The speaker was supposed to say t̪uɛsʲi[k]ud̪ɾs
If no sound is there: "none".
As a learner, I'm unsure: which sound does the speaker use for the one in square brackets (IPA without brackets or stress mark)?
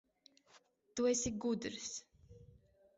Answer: ɡ